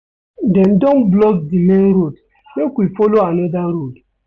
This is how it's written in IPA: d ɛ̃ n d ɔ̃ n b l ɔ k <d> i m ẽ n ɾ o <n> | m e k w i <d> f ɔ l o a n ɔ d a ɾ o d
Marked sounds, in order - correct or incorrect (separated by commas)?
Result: correct, incorrect, incorrect